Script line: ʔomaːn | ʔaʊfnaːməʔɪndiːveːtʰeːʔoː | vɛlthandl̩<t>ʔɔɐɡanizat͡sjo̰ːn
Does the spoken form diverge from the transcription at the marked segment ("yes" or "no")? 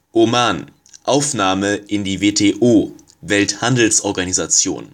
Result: yes